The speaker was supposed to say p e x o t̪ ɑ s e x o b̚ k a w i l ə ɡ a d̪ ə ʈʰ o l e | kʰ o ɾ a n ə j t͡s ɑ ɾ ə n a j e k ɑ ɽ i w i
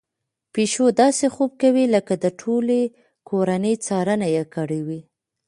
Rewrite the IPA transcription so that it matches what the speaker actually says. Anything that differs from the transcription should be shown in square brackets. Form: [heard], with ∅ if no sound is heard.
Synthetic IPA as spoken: p e [ʃ] o [d̪] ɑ s e x o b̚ k a w i l ə [k] a d̪ ə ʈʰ o l e | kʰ o ɾ a n ə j t͡s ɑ ɾ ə n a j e k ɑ ɽ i w i